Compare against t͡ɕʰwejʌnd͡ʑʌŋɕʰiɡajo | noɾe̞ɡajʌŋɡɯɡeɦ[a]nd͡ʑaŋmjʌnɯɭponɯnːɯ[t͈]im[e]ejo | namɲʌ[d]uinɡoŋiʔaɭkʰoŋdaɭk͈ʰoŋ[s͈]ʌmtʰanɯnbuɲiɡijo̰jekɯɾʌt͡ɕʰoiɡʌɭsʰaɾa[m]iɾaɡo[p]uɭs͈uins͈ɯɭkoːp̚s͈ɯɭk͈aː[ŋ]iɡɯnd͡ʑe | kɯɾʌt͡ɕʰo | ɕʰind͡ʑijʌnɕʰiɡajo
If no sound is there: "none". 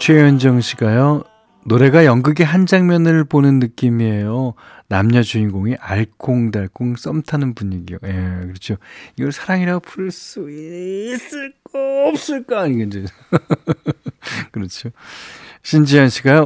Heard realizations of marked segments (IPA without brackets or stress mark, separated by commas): a, k͈, i, d͡ʑ, s͈, ŋ, pʰ, ɲ